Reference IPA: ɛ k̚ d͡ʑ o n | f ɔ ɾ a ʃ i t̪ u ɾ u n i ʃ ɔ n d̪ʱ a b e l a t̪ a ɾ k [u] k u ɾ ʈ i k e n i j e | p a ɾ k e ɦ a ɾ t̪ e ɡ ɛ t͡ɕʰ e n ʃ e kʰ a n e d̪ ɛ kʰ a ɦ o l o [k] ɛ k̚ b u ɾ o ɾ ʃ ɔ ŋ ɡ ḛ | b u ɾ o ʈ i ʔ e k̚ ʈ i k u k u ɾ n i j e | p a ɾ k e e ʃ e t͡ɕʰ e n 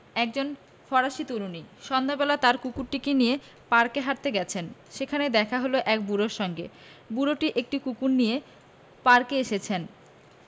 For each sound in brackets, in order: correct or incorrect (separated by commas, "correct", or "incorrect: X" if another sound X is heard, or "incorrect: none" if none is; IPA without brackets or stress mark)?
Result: correct, incorrect: ʔ